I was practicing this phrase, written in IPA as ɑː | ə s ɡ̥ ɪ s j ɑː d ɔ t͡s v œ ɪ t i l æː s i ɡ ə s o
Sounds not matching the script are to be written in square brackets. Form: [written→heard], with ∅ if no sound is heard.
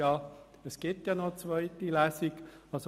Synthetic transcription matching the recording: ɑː | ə s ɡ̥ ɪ [s→t] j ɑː [d→n] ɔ t͡s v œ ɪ t i l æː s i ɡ [ə→ɑ] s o